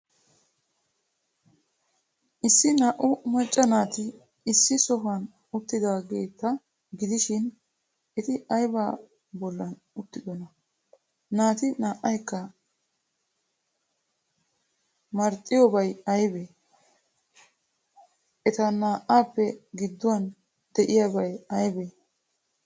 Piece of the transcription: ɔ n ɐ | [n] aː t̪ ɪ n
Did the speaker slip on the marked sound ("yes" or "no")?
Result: no